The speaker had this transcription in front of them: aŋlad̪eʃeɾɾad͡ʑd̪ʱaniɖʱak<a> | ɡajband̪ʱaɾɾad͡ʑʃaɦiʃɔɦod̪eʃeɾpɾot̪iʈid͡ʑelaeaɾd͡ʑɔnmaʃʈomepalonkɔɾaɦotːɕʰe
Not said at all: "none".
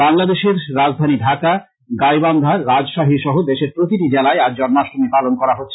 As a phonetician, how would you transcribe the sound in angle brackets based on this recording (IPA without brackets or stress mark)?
a